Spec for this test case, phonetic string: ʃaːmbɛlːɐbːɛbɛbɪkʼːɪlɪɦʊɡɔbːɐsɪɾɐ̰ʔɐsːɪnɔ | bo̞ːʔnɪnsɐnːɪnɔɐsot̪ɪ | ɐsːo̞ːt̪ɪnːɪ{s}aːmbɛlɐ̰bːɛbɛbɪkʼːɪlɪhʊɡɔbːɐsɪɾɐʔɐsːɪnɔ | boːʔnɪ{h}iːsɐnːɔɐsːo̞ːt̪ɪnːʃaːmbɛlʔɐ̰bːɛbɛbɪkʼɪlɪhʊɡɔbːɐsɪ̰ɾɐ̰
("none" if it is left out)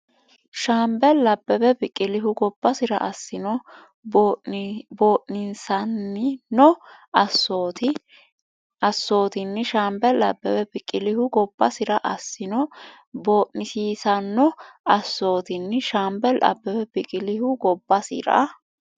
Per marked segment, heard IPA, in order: ʃ, s

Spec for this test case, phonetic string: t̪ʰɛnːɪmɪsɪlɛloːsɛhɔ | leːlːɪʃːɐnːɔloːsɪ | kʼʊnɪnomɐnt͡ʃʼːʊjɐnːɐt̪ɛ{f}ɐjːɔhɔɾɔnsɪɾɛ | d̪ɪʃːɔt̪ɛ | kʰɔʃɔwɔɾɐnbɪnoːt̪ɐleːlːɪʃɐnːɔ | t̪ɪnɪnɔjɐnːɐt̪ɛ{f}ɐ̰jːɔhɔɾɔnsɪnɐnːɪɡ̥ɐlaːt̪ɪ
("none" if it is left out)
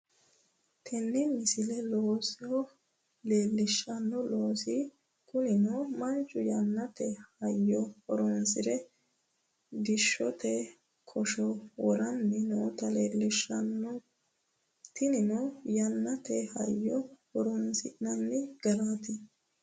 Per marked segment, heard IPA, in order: h, h

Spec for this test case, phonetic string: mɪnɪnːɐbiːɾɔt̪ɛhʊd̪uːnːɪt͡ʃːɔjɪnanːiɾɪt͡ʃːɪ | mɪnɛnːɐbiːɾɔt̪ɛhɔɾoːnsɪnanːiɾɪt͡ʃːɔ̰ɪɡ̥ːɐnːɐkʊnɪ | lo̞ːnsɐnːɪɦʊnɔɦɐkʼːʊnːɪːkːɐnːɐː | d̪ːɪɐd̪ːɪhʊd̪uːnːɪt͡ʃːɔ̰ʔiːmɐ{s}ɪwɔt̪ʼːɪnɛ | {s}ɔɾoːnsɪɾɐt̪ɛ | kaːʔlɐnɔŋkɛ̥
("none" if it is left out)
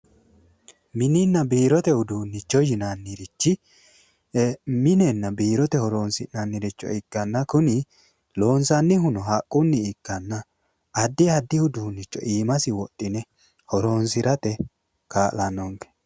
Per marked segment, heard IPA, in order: s, h

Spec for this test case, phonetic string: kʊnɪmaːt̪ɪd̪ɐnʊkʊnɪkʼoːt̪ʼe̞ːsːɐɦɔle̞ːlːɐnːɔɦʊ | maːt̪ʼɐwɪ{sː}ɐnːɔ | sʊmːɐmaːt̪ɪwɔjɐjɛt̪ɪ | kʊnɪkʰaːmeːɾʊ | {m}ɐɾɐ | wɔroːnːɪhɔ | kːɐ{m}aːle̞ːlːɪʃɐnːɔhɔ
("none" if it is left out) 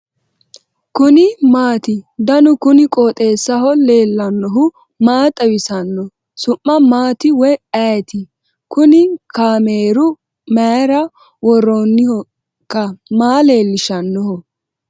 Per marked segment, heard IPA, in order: s, m, m

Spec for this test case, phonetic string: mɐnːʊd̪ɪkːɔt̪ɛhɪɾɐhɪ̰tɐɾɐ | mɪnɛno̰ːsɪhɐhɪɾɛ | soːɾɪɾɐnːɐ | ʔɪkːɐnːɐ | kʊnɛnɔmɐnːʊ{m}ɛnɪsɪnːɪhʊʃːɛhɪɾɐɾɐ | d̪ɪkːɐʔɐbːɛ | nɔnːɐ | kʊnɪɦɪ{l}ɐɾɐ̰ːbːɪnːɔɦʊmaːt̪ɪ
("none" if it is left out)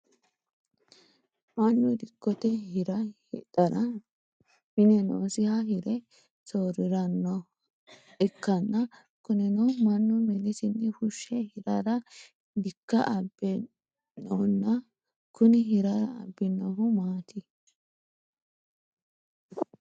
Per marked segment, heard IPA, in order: m, ɾ

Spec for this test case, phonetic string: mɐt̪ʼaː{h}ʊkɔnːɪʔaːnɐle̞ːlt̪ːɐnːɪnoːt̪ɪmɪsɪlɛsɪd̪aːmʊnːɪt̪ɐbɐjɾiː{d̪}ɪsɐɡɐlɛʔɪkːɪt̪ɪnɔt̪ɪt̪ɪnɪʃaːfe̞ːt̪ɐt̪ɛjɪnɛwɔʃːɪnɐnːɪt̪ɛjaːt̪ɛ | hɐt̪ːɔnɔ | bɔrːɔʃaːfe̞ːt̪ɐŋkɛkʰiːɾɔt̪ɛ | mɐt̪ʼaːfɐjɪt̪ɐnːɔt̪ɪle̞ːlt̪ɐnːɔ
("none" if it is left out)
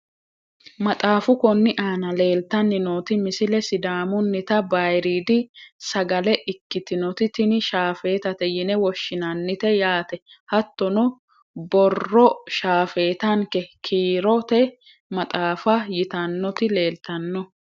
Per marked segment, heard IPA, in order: f, d̪

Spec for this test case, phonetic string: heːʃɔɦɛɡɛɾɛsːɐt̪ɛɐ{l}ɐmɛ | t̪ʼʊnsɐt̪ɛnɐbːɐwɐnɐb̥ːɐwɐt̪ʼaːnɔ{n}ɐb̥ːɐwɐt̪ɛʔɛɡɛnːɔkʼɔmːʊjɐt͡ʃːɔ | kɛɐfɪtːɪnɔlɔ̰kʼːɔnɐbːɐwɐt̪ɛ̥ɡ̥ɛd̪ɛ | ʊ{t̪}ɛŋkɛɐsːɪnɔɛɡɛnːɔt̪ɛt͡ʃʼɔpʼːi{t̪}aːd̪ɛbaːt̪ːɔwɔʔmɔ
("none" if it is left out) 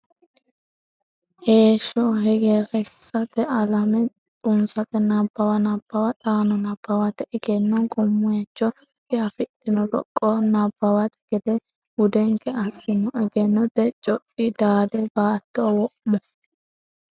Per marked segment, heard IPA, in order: l, n, d̪, d̪

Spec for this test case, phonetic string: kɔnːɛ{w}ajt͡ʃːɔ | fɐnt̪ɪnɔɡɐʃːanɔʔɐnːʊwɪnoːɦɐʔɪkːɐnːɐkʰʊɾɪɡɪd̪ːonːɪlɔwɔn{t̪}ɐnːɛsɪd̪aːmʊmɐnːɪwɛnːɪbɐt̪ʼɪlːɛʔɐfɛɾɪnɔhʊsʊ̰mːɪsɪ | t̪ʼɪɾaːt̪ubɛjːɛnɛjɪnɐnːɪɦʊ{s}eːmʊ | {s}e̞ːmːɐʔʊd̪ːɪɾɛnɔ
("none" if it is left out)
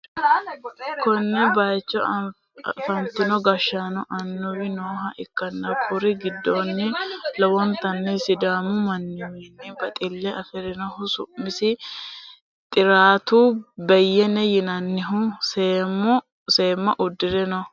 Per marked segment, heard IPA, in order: b, t̪, s, s

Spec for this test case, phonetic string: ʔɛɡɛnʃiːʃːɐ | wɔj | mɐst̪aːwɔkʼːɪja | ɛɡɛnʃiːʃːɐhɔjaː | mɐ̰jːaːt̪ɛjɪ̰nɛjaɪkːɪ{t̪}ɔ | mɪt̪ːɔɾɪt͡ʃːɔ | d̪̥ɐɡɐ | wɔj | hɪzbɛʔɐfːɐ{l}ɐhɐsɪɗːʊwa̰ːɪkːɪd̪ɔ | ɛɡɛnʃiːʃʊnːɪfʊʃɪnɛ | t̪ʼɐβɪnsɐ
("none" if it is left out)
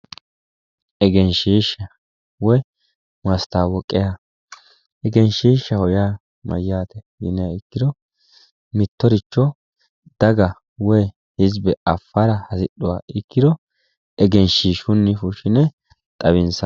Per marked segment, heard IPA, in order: d̪, ɾ

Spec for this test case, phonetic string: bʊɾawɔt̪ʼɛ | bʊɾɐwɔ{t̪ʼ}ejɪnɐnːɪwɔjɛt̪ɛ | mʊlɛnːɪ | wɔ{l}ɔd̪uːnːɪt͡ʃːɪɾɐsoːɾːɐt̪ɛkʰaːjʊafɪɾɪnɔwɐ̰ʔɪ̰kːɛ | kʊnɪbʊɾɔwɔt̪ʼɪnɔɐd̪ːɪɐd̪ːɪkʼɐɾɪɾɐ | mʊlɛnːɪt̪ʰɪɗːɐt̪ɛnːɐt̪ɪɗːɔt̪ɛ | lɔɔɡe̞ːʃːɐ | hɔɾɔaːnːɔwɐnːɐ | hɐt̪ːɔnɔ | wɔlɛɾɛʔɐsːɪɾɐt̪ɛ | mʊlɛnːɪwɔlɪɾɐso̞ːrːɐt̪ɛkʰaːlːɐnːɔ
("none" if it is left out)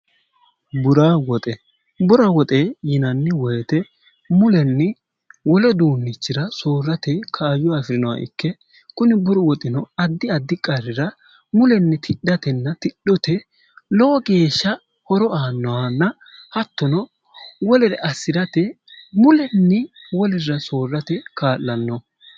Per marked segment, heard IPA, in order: t̪ʼ, l

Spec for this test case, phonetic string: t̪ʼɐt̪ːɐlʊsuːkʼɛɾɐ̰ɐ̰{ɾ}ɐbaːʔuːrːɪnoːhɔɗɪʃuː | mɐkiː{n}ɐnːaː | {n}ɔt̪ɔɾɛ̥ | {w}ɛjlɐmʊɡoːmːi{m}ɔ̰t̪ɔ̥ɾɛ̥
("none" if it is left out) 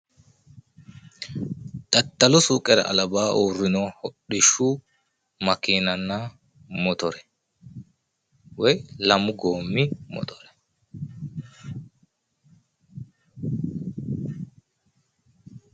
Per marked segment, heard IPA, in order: l, n, m, w, m

